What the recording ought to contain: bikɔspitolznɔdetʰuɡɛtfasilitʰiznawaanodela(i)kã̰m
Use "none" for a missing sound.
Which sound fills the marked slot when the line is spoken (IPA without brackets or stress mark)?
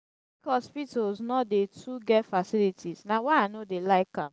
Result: ɪ